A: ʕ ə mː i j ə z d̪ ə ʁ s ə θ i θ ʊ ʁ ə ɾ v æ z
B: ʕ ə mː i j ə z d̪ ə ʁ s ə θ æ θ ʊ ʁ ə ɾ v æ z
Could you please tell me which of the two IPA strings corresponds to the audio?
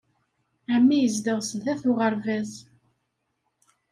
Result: B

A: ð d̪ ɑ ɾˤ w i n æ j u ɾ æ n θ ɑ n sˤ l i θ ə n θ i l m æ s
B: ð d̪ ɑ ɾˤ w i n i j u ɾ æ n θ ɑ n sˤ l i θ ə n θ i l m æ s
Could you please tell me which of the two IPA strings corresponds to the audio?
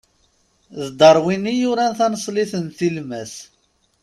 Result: B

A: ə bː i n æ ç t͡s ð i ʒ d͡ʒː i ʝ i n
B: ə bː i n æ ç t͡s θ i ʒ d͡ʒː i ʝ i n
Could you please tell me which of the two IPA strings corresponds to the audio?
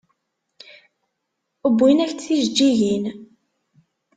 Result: B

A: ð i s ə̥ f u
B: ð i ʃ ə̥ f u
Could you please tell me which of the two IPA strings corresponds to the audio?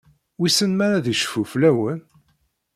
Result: B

